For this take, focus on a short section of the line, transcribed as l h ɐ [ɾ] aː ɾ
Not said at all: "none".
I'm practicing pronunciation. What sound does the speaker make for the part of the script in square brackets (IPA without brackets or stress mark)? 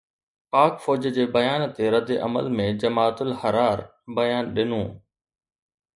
ɾ